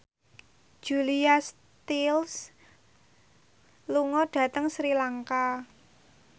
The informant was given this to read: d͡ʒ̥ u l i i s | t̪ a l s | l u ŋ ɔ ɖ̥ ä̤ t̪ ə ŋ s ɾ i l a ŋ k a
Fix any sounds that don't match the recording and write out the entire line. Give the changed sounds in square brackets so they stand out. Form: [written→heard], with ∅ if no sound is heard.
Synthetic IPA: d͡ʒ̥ u l i [i→a] s | t̪ [a→i] l s | l u ŋ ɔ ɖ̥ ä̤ t̪ ə ŋ s ɾ i l a ŋ k a